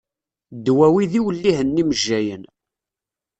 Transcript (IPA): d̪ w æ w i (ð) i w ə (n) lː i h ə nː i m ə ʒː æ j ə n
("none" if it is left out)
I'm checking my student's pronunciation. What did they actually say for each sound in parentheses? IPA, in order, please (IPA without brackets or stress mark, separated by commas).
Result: ð, none